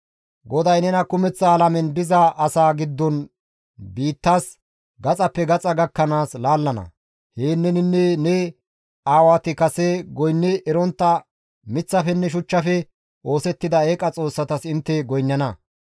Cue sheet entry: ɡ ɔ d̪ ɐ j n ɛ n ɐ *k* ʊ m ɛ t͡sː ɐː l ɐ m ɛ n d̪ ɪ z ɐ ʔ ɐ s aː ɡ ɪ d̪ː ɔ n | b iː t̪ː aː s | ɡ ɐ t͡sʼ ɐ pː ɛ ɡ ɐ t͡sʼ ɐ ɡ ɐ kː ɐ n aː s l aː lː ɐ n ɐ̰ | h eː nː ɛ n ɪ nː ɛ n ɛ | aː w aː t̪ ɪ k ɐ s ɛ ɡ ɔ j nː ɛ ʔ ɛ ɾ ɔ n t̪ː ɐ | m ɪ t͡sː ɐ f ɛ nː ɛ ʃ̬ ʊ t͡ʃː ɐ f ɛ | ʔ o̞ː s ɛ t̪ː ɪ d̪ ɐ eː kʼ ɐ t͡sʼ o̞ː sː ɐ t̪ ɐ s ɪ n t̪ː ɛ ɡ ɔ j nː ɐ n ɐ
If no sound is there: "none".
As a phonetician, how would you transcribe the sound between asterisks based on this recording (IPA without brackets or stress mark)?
k